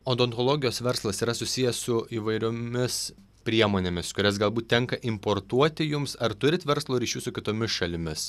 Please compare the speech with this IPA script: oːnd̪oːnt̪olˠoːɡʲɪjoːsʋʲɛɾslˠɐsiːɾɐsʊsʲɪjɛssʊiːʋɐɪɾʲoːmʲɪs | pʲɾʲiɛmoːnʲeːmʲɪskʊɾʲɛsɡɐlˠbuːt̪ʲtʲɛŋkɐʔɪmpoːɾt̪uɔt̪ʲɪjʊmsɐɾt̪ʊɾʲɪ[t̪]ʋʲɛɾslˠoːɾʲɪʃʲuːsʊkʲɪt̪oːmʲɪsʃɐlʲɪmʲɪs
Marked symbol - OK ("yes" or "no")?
yes